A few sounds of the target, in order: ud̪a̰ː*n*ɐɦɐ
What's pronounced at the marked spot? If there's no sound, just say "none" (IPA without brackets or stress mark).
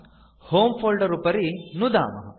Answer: m